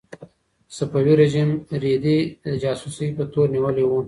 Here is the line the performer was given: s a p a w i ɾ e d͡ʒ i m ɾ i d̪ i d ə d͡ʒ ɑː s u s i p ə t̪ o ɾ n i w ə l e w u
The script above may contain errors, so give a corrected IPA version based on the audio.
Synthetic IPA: s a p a w i ɾ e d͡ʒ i m ɾ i d̪ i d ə d͡ʒ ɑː s u s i p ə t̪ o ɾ n i w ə l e w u